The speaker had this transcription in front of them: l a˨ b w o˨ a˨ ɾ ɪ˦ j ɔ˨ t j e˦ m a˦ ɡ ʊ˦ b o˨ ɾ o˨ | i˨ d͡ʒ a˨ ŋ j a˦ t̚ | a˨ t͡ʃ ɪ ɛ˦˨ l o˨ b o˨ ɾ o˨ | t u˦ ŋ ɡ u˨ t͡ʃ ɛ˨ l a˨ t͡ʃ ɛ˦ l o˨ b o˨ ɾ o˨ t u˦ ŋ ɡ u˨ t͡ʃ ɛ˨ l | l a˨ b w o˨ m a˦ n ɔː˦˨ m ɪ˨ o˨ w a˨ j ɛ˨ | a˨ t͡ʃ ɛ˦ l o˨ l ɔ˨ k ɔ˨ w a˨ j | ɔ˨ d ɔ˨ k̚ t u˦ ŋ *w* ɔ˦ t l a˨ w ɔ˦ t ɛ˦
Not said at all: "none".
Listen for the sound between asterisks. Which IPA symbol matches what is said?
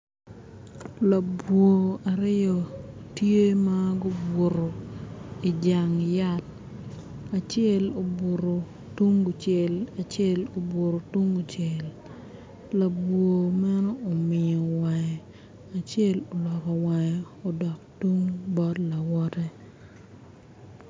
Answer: b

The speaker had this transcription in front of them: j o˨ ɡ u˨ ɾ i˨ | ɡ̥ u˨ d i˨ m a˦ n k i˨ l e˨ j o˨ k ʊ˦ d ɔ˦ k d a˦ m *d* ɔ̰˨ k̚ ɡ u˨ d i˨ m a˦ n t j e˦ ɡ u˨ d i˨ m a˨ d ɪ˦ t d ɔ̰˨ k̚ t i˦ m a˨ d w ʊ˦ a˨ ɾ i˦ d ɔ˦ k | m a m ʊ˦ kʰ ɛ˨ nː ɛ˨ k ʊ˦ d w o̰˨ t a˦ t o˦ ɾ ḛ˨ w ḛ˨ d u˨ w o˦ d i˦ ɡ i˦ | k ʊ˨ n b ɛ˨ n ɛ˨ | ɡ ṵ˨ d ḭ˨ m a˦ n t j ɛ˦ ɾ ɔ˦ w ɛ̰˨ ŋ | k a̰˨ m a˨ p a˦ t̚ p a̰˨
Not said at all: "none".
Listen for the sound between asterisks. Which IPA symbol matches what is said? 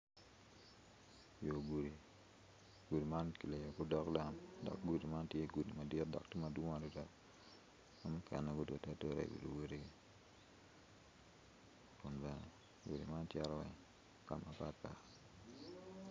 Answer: d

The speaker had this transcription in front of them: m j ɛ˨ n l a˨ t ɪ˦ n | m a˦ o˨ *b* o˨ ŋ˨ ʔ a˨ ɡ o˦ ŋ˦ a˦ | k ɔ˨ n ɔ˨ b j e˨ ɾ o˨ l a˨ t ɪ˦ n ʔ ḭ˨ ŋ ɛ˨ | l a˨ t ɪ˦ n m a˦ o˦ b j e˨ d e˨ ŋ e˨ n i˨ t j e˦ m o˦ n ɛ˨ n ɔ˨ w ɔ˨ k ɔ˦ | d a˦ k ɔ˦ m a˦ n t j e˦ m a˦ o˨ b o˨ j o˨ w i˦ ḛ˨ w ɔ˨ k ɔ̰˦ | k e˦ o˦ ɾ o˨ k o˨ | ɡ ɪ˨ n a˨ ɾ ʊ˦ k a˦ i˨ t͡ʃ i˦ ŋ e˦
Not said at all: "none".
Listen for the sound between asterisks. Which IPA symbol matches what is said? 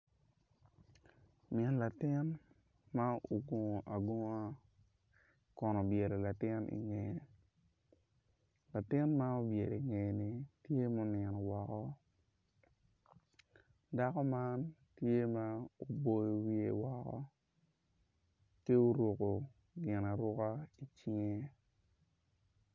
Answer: ɡ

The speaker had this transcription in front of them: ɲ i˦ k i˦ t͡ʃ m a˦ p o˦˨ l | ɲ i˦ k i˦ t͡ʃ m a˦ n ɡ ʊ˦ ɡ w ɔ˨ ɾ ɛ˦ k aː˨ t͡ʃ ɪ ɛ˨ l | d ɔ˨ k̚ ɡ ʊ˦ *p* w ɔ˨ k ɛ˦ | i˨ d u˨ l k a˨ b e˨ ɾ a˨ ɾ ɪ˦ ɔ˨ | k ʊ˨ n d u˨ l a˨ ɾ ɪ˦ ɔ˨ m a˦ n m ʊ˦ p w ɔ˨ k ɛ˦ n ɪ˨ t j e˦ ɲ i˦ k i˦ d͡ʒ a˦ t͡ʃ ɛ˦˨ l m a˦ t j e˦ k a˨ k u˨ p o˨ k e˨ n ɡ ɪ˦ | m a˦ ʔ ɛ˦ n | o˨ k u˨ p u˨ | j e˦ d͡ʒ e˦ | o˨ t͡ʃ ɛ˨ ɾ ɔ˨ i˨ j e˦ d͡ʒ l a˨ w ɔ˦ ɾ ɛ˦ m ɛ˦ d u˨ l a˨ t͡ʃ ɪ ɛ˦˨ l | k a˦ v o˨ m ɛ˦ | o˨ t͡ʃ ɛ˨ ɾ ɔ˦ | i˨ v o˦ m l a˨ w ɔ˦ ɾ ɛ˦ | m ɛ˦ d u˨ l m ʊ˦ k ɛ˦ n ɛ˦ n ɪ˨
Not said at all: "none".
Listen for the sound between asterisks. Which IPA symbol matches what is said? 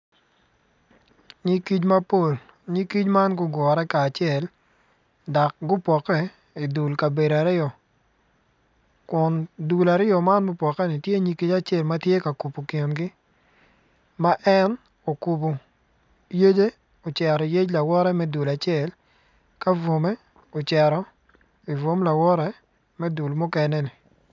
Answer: p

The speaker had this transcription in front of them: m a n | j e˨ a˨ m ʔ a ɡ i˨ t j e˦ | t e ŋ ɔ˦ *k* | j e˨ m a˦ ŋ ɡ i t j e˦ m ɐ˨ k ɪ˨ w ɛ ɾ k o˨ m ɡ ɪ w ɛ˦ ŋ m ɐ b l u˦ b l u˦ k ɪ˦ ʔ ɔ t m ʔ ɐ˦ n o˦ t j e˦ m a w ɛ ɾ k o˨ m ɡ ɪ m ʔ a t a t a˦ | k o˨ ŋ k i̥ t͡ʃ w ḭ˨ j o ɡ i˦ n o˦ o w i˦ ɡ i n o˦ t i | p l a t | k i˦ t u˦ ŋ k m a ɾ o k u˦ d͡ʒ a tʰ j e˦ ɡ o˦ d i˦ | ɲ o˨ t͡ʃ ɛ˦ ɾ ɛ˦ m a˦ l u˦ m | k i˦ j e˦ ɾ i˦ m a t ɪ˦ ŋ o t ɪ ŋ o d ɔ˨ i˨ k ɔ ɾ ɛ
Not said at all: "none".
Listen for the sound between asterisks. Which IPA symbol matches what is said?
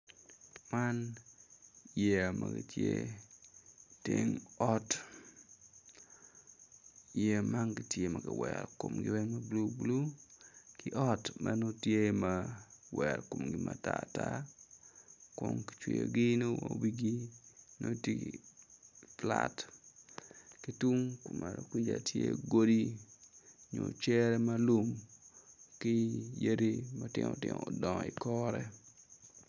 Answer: t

